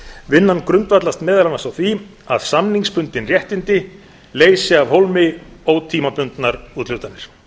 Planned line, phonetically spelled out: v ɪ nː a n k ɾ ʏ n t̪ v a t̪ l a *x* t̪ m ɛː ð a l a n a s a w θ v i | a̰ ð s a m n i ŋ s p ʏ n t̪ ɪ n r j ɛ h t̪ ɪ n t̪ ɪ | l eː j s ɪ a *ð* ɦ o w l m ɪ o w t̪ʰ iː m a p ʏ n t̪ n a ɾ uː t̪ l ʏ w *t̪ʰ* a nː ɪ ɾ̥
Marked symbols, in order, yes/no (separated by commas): no, no, no